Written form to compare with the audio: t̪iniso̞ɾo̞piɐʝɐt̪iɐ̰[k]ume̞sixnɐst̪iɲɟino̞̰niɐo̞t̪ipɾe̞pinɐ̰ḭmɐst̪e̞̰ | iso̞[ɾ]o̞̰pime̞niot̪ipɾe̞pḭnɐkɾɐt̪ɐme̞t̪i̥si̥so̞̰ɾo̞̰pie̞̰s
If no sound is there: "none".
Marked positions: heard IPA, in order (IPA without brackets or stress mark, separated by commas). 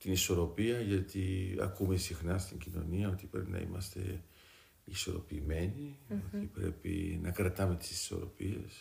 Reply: k, ɾ